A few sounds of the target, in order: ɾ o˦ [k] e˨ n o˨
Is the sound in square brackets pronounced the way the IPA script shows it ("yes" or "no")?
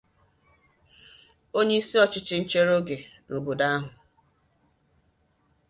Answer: no